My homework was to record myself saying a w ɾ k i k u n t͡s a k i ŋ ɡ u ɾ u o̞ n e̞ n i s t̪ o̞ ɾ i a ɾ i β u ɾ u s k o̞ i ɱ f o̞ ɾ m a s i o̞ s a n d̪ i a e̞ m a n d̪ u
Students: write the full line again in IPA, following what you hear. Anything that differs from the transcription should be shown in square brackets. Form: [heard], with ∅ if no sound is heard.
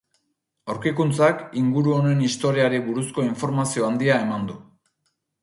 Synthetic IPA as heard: a w ɾ k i k u n t͡s a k i ŋ ɡ u ɾ u o̞ n e̞ n i s t̪ o̞ ɾ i a ɾ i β u ɾ u s k o̞ i ɱ f o̞ ɾ m a s i o̞ [∅] a n d̪ i a e̞ m a n d̪ u